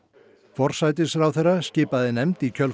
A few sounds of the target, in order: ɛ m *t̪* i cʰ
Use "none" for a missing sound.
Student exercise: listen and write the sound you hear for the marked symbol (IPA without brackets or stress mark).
t̪